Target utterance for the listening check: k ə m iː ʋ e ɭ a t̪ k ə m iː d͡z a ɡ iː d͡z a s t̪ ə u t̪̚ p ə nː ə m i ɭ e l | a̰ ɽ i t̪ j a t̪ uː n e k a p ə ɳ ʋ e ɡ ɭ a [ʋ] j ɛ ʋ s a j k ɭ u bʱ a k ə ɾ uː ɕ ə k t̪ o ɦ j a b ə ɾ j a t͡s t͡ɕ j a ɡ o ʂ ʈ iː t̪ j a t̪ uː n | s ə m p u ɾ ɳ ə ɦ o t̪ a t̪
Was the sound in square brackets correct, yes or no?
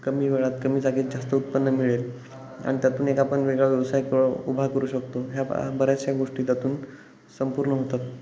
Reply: yes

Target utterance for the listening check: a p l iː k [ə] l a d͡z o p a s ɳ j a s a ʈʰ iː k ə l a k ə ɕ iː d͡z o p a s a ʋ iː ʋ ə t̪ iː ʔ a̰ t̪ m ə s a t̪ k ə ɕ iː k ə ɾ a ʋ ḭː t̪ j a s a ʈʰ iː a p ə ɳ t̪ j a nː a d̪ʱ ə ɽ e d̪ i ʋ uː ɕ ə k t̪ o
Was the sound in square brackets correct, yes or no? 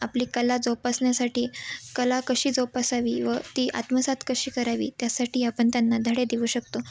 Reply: yes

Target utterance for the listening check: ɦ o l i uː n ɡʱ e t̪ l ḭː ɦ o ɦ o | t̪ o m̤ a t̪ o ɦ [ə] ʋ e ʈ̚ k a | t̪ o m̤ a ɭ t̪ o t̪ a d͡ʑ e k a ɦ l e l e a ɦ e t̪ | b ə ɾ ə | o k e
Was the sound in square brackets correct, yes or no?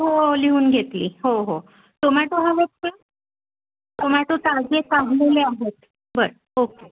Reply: no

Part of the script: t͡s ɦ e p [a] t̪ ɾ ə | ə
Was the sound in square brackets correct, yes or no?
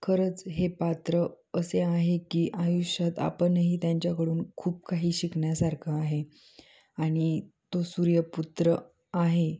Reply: yes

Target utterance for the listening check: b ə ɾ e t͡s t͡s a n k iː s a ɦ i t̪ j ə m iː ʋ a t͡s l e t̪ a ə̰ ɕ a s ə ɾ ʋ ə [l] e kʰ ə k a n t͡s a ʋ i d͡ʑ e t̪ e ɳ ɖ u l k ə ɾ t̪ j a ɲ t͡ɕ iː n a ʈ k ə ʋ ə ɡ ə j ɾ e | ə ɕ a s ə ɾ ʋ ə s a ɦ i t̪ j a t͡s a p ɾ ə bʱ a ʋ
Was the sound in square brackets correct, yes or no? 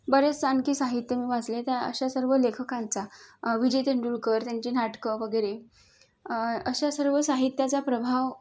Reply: yes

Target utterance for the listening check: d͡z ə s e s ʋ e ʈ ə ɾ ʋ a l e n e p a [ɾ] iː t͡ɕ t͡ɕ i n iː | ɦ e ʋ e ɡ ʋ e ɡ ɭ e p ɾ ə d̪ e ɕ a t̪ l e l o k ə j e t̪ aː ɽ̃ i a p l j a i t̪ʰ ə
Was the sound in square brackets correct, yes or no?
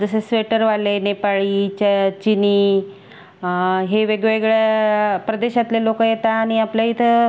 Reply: no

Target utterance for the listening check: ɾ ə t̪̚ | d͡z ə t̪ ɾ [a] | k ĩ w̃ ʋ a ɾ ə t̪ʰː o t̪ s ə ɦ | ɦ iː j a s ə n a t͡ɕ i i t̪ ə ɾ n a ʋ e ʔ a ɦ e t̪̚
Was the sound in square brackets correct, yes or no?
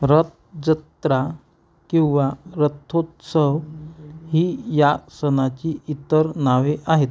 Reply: yes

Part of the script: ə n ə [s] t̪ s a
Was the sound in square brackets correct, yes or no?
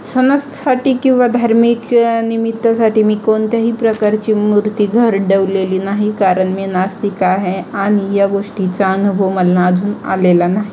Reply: yes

